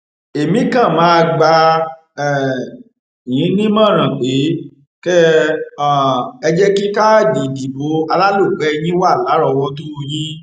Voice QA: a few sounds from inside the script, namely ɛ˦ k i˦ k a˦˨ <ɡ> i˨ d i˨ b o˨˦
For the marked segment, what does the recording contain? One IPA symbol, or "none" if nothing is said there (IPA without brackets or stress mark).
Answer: d